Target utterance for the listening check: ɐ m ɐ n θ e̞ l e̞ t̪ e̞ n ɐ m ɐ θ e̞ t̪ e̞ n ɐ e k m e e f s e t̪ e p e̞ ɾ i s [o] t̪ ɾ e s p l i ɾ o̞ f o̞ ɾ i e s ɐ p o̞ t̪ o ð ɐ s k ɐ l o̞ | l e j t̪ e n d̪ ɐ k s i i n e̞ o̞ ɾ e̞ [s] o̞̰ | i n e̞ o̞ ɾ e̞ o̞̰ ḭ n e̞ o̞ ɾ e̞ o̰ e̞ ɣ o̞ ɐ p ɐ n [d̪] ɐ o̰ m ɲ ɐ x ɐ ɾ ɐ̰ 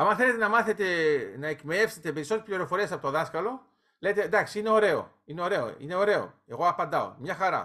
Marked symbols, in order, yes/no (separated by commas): yes, no, yes